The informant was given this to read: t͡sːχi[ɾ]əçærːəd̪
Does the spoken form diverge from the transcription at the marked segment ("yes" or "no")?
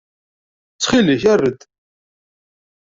yes